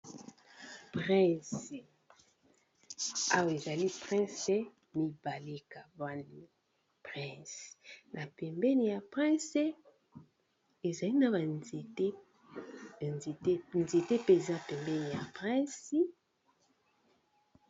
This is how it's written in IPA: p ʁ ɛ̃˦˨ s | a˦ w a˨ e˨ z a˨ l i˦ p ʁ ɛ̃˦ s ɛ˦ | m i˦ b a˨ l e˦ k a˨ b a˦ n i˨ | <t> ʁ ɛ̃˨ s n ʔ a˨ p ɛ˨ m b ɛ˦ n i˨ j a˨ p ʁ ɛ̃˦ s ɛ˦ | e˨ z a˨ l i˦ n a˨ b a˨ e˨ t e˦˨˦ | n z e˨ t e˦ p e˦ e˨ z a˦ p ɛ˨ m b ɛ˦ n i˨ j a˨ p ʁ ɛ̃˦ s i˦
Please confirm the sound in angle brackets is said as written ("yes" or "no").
no